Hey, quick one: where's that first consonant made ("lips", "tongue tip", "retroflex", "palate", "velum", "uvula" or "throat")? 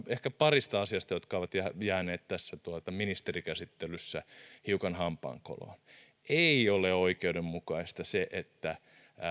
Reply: throat